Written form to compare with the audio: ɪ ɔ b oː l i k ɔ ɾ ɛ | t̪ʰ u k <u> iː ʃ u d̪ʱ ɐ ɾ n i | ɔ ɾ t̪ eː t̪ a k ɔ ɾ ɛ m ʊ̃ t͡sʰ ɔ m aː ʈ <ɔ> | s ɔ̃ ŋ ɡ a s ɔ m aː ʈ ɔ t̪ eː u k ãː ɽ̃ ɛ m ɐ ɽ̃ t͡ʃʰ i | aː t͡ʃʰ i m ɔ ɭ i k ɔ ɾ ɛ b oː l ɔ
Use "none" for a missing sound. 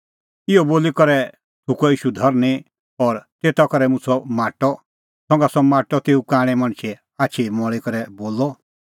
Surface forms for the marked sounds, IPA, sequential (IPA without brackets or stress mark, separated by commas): ɔ, ɔ